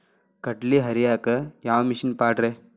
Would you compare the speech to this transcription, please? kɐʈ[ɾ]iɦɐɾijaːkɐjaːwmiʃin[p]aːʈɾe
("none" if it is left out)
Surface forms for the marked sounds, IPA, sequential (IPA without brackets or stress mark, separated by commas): l, p